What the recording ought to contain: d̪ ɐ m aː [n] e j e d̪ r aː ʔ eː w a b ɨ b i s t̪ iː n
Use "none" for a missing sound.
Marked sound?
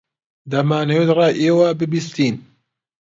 n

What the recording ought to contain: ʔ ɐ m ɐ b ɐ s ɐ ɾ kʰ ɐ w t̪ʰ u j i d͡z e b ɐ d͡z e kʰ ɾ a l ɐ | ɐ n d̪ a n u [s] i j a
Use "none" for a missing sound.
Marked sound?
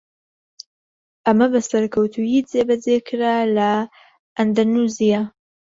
z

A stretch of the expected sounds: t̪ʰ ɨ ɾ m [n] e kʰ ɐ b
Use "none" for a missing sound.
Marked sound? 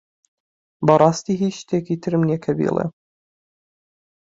n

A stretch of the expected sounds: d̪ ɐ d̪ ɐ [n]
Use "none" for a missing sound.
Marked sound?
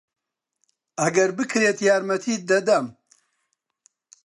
m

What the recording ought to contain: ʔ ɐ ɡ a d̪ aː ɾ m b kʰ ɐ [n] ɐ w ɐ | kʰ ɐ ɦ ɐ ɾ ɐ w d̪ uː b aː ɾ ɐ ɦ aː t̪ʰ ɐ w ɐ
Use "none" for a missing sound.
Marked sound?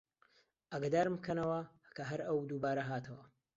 n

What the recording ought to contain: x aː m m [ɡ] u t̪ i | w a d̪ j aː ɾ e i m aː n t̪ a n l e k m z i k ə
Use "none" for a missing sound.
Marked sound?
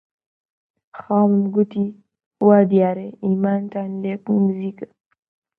ɡ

